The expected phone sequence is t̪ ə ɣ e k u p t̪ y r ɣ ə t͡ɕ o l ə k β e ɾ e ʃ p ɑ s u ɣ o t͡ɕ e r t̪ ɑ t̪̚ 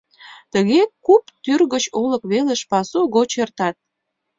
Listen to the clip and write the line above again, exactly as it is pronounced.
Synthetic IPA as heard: t̪ ə ɣ e k u p t̪ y r ɣ ə t͡ɕ o l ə k β e l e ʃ p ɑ s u ɣ o t͡ɕ e r t̪ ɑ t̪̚